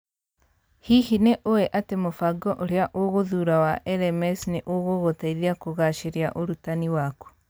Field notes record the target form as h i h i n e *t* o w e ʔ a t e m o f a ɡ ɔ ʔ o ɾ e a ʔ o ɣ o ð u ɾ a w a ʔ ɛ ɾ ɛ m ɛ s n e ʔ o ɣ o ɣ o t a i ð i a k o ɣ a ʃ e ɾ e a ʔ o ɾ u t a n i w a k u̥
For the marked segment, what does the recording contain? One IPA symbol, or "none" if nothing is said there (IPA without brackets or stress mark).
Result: ʔ